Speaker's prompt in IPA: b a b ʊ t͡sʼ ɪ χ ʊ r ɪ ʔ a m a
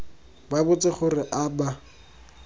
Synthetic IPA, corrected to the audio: b a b ʊ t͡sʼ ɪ χ ʊ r ɪ ʔ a b a

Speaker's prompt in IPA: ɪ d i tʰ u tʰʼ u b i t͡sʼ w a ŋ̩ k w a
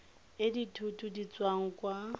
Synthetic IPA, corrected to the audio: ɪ d i tʰ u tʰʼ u d i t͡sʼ w a ŋ̩ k w a

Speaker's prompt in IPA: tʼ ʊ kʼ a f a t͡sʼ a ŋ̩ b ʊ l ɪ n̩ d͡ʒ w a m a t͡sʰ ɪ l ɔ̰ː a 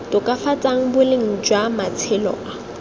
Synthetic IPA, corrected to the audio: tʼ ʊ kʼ a f a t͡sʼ a ŋ̩ b ʊ l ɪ ŋ̩ d͡ʒ w a m a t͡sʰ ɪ l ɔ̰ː a

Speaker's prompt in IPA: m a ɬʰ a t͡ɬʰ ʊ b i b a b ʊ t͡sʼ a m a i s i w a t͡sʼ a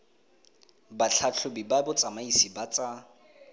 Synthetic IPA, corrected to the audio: b a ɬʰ a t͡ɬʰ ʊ b i b a b ʊ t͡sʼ a m a i s i b a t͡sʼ a

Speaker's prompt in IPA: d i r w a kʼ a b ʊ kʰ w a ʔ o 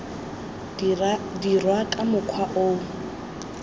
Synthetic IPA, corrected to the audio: d i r w a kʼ a m ʊ kʰ w a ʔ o

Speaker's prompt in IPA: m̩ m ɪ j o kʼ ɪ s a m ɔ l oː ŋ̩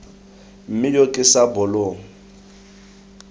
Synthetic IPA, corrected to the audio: m̩ m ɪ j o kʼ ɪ s a b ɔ l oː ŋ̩

